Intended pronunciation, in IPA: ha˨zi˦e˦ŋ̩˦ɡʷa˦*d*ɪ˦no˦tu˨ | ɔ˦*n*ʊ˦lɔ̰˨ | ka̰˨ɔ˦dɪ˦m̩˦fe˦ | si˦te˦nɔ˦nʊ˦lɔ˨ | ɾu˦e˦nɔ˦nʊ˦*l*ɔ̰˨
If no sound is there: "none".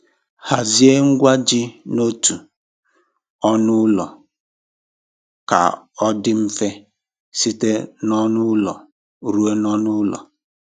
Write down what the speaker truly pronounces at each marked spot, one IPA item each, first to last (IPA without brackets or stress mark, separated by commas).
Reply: d͡ʒ, n, l